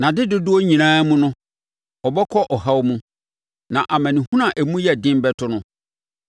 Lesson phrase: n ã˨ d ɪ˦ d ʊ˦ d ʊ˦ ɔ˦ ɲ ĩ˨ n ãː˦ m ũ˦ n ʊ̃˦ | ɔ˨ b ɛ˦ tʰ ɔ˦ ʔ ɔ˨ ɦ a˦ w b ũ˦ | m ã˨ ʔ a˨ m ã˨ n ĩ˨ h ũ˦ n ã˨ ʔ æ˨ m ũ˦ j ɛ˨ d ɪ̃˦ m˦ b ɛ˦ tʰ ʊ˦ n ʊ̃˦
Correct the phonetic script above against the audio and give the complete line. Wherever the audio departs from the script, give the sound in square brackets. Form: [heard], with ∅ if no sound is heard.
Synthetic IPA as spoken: n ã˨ d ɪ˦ d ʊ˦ d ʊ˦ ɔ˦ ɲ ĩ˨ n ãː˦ m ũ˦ n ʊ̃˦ | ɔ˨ b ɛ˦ [kʰ] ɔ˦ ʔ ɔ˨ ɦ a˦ w [m] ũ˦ | [n] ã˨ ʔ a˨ m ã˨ n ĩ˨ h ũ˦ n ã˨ ʔ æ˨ m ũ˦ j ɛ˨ d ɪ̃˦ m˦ b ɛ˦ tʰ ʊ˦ n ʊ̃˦